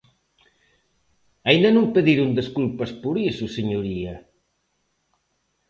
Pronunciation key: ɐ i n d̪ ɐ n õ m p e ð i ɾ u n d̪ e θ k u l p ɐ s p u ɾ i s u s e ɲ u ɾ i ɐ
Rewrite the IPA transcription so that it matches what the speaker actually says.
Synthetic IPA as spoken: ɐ i n d̪ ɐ n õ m p e ð i ɾ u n d̪ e s k u l p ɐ s p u ɾ i s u s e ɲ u ɾ i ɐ